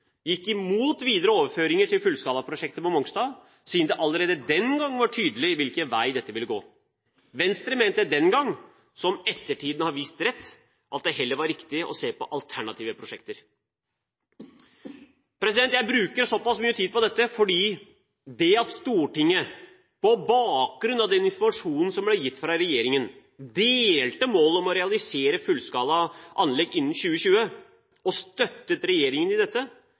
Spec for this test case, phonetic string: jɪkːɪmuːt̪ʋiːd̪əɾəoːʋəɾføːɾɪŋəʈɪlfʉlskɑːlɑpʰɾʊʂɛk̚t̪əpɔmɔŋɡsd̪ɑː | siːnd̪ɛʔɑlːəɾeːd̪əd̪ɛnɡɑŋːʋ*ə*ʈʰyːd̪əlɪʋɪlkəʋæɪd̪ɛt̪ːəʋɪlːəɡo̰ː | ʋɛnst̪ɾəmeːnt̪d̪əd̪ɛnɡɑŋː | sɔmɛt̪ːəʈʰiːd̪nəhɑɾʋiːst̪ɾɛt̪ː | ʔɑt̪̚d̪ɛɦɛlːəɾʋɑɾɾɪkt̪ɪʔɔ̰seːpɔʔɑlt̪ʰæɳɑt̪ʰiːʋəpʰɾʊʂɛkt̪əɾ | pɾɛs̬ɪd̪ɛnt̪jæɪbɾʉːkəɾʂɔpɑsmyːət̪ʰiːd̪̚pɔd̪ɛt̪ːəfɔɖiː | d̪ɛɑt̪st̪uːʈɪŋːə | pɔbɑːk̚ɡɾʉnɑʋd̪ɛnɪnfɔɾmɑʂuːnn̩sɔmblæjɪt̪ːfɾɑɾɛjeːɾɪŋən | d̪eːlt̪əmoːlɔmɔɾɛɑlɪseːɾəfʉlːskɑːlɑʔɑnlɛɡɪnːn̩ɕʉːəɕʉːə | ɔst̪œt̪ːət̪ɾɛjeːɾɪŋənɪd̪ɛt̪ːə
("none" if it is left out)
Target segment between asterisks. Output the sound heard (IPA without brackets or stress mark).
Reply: ɑ